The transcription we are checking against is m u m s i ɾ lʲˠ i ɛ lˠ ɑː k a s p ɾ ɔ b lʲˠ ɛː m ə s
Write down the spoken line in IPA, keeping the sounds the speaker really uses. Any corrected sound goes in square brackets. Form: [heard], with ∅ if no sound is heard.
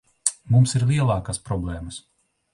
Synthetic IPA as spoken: m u m s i ɾ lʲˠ i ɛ lˠ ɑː k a s p ɾ ɔ b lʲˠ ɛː m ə s